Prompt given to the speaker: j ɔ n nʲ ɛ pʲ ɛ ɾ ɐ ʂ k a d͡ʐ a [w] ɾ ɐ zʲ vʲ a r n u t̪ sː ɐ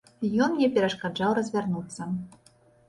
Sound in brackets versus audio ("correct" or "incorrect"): correct